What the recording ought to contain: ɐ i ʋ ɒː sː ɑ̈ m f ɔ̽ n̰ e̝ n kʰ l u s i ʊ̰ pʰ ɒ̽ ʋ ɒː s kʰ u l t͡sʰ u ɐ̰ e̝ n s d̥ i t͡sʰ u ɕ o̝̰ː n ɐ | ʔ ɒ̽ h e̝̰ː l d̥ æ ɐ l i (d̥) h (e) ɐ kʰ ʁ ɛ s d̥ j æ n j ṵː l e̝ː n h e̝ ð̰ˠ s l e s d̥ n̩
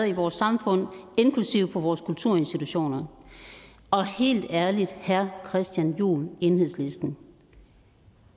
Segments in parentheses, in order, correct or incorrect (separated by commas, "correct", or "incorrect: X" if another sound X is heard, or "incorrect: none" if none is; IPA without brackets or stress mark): correct, incorrect: æ